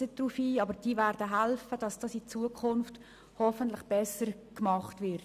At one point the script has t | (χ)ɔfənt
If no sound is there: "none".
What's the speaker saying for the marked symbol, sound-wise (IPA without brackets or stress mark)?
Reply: h